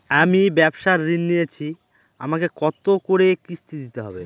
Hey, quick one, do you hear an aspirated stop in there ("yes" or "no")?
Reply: yes